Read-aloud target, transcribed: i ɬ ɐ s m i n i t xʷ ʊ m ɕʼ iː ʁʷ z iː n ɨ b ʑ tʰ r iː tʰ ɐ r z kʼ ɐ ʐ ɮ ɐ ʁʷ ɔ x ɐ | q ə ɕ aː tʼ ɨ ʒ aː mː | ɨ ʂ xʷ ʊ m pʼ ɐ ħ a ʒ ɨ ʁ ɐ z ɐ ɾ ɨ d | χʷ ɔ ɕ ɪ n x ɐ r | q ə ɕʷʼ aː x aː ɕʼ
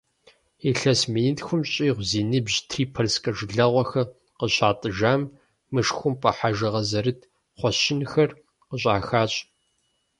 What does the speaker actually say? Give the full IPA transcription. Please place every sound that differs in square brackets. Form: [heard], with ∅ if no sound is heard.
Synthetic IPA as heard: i ɬ ɐ s m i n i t xʷ ʊ m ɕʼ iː ʁʷ z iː n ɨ b ʑ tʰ r iː [pʰ] ɐ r [s] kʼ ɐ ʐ ɮ ɐ ʁʷ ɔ x ɐ | q ə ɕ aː tʼ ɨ ʒ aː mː | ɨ ʂ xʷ ʊ m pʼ ɐ ħ a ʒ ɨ ʁ ɐ z ɐ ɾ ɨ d | χʷ ɔ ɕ ɪ n x ɐ r | q ə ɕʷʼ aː x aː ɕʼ